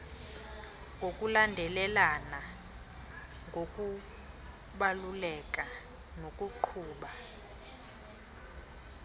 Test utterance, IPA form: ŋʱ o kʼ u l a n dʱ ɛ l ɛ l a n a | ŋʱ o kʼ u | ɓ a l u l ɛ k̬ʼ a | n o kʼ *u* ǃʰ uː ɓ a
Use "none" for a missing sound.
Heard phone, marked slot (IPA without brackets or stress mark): u